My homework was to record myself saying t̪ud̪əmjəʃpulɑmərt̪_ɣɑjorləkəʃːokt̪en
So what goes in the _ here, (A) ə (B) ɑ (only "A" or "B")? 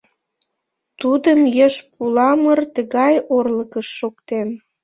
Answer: A